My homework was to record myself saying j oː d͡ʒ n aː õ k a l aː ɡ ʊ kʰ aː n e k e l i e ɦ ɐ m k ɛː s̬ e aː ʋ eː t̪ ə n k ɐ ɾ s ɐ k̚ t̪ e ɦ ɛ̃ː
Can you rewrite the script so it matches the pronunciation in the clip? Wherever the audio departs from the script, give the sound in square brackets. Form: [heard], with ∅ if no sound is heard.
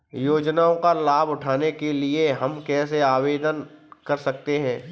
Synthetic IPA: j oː d͡ʒ n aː õ k a l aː [b] ʊ [ʈʰ] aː n e k e l i e ɦ ɐ m k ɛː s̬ e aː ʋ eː [d̪] ə n k ɐ ɾ s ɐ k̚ t̪ e ɦ ɛ̃ː